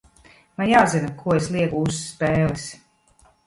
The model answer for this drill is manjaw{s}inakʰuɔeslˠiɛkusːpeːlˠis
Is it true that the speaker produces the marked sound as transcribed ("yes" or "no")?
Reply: no